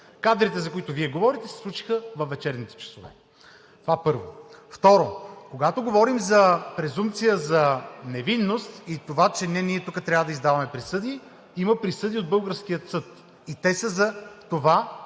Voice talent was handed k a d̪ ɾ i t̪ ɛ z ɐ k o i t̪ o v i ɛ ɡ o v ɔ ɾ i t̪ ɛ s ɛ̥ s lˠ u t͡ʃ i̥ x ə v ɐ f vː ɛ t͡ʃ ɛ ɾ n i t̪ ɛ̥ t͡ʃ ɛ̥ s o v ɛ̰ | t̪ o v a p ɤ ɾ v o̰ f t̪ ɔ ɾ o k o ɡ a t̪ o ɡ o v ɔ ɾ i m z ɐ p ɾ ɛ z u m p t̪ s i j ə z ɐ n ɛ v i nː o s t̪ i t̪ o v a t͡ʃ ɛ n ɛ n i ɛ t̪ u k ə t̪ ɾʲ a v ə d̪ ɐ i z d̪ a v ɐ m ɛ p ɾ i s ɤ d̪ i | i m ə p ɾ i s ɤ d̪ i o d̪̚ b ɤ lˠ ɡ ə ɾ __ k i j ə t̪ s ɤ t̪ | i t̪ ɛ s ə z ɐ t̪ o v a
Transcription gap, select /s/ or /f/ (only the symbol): s